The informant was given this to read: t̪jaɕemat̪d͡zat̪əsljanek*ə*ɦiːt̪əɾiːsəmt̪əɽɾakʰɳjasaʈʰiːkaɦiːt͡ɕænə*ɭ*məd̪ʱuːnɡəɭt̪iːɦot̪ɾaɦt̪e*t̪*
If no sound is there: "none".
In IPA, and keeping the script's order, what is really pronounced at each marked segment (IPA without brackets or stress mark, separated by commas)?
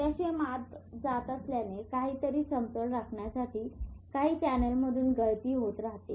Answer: a, l, none